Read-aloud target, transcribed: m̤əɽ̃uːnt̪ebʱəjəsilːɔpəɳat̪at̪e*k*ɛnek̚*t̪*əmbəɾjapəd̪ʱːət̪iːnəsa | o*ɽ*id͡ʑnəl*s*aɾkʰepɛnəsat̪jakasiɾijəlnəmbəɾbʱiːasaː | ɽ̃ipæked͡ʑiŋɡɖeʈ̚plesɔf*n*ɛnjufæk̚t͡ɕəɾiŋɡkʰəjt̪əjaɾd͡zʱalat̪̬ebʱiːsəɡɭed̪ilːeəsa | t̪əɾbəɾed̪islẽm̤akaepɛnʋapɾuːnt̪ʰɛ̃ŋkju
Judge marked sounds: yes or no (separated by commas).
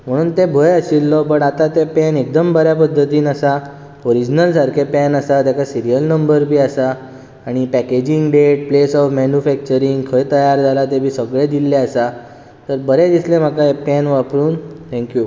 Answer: no, no, no, yes, no